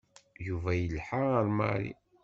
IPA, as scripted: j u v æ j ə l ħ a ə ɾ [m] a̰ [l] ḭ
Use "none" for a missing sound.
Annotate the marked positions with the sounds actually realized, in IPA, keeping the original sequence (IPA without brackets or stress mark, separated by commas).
m, ɾ